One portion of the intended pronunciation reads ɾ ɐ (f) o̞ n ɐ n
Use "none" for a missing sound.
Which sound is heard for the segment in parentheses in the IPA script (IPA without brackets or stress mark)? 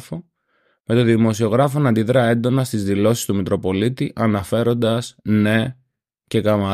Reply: f